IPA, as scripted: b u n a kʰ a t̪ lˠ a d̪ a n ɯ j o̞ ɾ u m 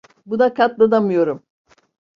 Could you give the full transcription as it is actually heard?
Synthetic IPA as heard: b u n a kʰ a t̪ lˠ a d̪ a m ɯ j o̞ ɾ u m

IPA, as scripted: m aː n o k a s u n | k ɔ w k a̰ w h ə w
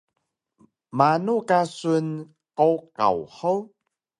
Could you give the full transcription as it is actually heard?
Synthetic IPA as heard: m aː n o k a s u n | k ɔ w k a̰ w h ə w

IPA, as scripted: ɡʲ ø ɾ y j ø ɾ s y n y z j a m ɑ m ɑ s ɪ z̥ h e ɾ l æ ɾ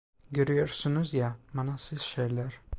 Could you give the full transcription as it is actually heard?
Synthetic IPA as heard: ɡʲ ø ɾ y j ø ɾ s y n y z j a m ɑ n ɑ s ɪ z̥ ʃ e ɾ l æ ɾ

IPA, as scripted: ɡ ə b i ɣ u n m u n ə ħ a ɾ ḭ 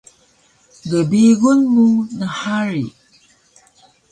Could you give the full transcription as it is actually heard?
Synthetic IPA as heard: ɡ ə b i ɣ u n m u n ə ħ a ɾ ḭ

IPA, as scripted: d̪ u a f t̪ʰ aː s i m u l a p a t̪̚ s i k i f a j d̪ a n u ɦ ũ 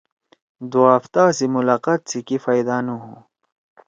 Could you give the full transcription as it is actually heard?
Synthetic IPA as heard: d̪ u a f t̪ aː s i m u l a q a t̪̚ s i k i f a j d̪ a n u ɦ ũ

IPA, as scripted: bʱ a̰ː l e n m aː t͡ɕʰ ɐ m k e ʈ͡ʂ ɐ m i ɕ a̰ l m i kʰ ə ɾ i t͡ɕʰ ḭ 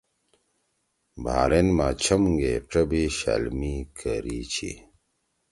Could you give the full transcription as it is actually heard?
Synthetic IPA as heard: bʱ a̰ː ɾ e n m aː t͡ɕʰ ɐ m ɡ e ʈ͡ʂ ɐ b i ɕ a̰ l m i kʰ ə ɾ i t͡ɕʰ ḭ

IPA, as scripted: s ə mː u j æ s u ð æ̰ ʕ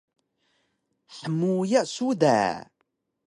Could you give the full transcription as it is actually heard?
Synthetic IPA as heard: ħ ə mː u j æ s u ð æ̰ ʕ

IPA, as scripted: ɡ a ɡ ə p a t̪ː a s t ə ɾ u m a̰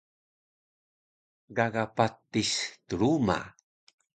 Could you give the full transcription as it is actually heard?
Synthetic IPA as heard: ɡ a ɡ a p a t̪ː i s t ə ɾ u m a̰

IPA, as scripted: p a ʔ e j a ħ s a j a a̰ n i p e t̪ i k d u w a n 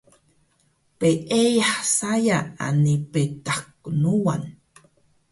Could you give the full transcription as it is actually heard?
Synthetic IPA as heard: p e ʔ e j a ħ s a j a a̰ n i p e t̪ a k n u w a n

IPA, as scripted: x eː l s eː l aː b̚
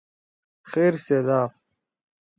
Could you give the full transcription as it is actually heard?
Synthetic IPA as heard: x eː ɾ s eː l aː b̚

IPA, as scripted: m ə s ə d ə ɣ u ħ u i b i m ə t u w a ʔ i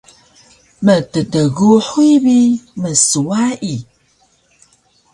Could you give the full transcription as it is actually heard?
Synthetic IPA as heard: m ə t ə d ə ɣ u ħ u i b i m ə s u w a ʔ i

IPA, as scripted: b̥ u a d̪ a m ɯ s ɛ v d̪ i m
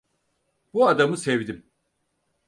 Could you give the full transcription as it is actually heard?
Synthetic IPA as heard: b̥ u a d̪ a m ɯ s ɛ v d̪ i m

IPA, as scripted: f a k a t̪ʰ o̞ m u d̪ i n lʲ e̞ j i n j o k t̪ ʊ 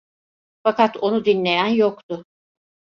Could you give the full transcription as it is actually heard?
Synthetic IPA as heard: f a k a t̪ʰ o̞ n u d̪ i n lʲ e̞ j æ n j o k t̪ ʊ

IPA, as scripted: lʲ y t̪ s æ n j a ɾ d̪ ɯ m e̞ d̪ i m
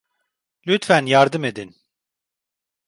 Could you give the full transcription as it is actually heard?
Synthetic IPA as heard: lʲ y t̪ f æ n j a ɾ d̪ ɯ m e̞ d̪ i n

